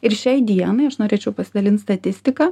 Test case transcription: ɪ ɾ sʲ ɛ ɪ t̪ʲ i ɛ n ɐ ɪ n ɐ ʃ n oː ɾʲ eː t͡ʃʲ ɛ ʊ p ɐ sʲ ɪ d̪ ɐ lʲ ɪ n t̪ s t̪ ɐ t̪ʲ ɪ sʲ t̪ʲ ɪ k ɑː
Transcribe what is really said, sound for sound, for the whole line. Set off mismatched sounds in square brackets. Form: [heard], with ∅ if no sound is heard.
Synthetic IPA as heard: ɪ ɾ [ʃʲ] ɛ ɪ [d̪ʲ] i ɛ n ɐ ɪ [∅] ɐ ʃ n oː ɾʲ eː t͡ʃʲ ɛ ʊ p ɐ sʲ ɪ d̪ ɐ lʲ ɪ n t̪ s t̪ ɐ t̪ʲ ɪ sʲ t̪ʲ ɪ k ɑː